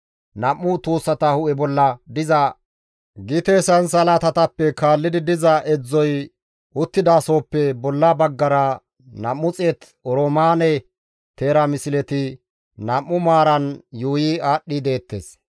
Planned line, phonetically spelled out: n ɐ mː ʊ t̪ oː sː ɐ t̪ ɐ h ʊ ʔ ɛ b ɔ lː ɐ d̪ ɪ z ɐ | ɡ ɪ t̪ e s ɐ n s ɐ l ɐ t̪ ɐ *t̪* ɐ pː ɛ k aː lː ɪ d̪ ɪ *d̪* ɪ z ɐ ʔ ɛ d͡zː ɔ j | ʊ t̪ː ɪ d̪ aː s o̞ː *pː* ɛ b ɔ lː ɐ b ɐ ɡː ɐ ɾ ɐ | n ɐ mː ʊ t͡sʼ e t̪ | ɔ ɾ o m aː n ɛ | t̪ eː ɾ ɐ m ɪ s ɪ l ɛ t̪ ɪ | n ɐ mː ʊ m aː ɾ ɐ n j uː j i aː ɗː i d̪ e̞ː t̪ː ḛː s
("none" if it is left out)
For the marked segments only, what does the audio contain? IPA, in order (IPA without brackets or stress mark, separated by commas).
t̪, d̪, pː